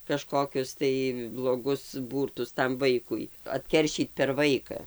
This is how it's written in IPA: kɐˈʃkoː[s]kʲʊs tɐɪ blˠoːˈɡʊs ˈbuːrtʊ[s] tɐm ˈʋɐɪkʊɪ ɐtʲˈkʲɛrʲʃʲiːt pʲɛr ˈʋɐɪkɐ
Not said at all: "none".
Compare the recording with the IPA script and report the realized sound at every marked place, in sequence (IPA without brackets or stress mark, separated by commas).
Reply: none, s